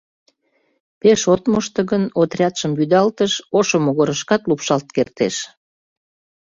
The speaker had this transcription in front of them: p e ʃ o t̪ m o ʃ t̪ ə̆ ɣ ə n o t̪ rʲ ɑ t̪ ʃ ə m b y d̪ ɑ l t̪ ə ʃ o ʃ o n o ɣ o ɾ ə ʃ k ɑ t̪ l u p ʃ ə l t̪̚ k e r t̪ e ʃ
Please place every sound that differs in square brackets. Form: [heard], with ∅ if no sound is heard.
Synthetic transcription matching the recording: p e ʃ o t̪ m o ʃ t̪ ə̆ ɣ ə n o t̪ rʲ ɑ t̪ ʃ ə m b y d̪ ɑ l t̪ ə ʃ o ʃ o [m] o ɣ o ɾ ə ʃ k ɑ t̪ l u p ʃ [ɑ] l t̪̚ k e r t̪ e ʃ